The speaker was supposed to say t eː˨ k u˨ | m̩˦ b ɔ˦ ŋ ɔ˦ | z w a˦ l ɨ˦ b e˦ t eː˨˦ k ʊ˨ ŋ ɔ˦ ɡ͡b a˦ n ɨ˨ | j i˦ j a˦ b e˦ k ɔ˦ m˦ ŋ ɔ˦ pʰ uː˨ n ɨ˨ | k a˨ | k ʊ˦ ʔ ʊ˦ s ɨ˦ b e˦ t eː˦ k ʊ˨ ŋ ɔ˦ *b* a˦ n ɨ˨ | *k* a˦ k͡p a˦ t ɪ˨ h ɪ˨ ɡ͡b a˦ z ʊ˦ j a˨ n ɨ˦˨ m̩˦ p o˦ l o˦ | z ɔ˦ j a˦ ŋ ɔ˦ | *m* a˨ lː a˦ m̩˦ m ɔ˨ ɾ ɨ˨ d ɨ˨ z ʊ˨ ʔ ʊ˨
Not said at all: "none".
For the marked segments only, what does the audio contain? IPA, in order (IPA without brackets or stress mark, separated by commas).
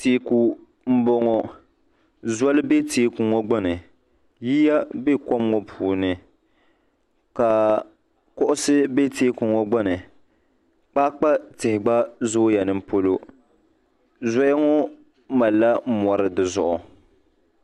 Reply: ɡ͡b, k͡p, m